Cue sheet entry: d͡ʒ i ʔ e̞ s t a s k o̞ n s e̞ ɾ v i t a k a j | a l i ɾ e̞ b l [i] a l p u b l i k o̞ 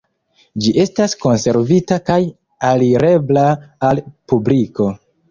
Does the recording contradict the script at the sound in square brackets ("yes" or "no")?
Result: yes